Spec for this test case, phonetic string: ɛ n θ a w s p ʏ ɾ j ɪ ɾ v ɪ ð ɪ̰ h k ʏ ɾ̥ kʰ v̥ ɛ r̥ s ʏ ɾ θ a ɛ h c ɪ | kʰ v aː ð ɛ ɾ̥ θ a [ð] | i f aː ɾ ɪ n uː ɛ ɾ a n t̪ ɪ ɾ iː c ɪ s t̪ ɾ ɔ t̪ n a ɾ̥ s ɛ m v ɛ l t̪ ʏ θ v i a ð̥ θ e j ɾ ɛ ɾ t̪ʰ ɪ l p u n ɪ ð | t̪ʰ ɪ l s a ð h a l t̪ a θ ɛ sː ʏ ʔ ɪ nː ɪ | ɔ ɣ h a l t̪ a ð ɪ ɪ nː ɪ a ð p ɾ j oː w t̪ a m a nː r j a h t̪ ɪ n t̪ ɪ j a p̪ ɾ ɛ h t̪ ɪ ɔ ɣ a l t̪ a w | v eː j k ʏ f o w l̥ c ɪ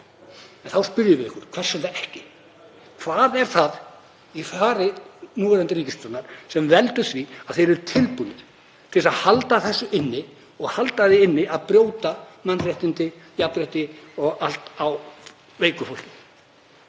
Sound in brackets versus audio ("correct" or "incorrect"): correct